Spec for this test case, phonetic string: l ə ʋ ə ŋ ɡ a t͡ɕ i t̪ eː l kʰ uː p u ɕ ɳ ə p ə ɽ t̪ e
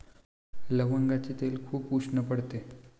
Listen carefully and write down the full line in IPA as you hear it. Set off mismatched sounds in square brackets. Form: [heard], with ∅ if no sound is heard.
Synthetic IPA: l ə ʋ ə ŋ ɡ a t͡ɕ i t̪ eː l kʰ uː p u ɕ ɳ ə p ə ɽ t̪ e